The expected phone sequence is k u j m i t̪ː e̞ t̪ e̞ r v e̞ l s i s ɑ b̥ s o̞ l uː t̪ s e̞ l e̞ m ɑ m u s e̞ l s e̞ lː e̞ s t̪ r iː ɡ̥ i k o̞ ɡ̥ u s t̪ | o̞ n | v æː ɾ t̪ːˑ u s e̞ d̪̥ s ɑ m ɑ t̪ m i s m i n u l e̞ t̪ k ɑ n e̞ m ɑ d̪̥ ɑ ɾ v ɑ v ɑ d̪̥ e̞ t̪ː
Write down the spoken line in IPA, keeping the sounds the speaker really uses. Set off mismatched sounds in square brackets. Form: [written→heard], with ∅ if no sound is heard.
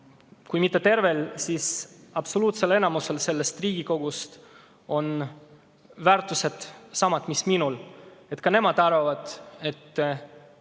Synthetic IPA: k u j m i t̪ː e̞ t̪ e̞ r v e̞ l s i s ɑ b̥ s o̞ l uː t̪ s e̞ l e̞ [m→n] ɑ m u s e̞ l s e̞ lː e̞ s t̪ r iː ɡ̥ i k o̞ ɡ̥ u s t̪ | o̞ n | v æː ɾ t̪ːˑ u s e̞ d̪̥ s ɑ m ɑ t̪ m i s m i n u l e̞ t̪ k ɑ n e̞ m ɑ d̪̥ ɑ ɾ v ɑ v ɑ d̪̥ e̞ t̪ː